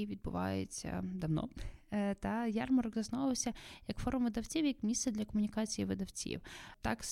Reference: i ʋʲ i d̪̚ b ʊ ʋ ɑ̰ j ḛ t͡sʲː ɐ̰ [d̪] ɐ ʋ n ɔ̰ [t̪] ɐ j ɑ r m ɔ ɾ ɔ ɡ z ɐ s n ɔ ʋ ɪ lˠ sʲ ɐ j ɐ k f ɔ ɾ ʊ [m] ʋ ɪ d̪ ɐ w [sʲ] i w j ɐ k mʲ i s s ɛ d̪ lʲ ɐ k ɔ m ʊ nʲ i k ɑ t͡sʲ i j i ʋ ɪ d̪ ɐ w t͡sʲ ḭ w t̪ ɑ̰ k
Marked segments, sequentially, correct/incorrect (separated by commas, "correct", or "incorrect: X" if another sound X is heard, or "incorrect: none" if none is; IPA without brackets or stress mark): correct, correct, correct, incorrect: t͡sʲ